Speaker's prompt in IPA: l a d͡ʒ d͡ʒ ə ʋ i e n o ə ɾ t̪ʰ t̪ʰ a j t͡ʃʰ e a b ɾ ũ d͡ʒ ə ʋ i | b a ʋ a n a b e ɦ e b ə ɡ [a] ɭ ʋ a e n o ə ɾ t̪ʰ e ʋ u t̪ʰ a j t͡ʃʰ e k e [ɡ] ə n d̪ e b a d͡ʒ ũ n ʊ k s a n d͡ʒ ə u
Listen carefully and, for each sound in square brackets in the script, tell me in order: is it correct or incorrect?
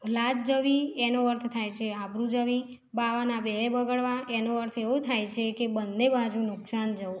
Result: incorrect: ə, incorrect: b

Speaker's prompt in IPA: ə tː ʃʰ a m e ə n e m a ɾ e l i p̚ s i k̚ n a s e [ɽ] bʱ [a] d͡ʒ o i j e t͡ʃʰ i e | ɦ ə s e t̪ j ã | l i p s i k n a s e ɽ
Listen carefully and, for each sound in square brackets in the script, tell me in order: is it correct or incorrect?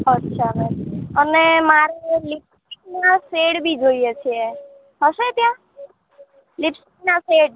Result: correct, incorrect: i

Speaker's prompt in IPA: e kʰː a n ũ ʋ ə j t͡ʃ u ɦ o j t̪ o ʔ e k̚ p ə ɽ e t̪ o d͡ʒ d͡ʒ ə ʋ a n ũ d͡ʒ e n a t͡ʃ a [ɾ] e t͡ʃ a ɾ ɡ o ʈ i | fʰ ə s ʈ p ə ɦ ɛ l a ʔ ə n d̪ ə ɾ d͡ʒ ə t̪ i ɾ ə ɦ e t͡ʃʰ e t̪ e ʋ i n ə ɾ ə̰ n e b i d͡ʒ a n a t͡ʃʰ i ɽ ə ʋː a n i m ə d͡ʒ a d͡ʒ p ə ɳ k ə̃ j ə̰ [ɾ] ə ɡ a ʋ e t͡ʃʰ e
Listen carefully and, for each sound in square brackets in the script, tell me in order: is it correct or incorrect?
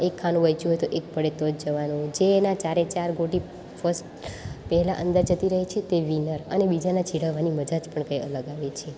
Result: correct, incorrect: l

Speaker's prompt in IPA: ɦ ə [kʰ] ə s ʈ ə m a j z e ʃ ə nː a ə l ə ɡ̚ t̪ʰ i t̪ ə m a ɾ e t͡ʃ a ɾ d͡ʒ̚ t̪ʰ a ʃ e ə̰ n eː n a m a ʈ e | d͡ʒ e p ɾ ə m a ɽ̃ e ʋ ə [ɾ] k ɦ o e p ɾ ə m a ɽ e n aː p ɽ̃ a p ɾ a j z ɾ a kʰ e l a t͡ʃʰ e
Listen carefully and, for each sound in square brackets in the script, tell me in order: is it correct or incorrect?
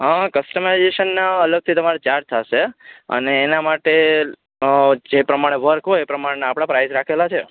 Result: incorrect: k, correct

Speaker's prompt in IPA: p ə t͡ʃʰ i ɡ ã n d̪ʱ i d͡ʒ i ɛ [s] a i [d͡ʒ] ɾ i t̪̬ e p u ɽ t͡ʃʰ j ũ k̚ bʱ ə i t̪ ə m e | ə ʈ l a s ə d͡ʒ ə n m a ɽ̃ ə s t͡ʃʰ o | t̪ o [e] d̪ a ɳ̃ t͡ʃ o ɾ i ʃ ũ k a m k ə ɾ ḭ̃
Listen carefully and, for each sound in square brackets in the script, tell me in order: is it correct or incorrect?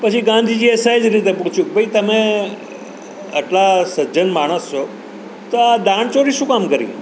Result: correct, correct, incorrect: a

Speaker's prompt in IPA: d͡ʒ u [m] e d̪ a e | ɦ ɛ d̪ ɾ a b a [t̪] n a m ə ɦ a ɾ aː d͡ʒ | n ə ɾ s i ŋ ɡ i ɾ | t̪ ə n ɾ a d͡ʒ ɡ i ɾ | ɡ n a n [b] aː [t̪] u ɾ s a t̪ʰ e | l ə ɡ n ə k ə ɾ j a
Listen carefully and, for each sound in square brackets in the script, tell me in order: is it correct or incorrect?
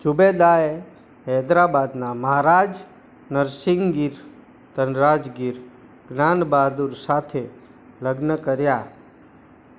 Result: incorrect: b, incorrect: d̪, correct, incorrect: d̪

